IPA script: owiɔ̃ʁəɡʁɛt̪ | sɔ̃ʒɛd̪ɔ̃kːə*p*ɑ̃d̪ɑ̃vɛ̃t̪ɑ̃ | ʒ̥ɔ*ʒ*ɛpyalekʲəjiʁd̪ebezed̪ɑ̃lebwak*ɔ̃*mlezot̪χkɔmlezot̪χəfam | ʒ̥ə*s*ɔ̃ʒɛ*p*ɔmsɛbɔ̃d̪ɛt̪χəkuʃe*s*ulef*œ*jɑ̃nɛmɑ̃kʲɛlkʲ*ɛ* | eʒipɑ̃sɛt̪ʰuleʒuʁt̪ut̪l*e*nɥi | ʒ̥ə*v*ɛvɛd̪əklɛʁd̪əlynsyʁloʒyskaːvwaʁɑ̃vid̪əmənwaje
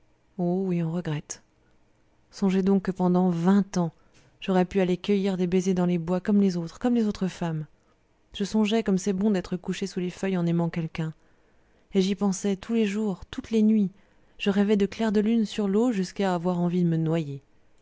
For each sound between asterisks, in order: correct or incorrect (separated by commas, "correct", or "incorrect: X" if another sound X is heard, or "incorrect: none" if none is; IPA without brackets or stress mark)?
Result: correct, incorrect: ʁ, incorrect: ɔ, correct, incorrect: k, correct, correct, incorrect: ɛ̃, correct, incorrect: ʁ